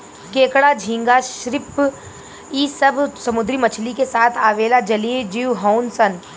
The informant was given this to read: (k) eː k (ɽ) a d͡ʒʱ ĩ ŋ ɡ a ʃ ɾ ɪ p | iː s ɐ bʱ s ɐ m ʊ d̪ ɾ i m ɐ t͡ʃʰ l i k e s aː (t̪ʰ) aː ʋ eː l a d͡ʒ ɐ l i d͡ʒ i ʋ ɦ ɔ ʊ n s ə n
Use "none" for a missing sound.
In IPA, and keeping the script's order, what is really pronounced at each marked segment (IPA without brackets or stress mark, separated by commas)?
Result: k, ɽ, t̪ʰ